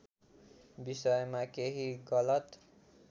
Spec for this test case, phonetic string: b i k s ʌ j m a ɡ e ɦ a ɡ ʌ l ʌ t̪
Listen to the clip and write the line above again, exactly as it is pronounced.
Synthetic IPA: b i s ʌ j m a k e ɦ i ɡ ʌ l ʌ t̪